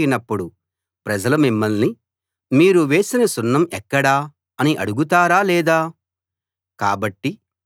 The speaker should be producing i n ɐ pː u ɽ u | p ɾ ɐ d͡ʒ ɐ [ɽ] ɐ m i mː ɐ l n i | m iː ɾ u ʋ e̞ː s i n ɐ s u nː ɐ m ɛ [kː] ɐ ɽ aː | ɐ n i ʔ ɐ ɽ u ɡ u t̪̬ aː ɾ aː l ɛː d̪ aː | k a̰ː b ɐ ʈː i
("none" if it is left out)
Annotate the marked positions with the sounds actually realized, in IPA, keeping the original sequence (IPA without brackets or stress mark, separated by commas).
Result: l, kː